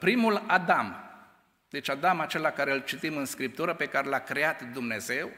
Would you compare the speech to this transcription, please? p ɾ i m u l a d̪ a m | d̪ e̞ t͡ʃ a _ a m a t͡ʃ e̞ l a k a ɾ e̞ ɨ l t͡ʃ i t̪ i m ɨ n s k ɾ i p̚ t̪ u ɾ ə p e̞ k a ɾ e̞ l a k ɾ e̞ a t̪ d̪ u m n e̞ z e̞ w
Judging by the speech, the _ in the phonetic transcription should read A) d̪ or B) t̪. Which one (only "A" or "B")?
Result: A